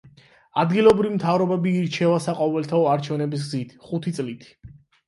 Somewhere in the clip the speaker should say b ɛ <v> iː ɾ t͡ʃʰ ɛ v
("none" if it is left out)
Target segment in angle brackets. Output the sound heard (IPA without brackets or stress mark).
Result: b